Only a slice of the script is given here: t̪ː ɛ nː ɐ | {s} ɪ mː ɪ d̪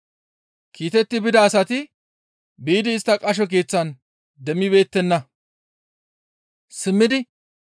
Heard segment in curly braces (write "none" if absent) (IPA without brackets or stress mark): s